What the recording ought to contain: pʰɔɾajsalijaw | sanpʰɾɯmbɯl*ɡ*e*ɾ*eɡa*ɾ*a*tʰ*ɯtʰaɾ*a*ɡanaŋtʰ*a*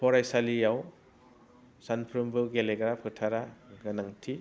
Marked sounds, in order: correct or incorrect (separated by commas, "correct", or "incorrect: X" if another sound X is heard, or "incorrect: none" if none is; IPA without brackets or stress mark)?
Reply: correct, incorrect: l, correct, incorrect: pʰ, correct, incorrect: i